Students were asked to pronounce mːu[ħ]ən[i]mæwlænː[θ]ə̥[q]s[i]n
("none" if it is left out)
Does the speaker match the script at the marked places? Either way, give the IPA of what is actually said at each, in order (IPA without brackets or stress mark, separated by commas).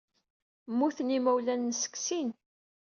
θ, i, s, k, i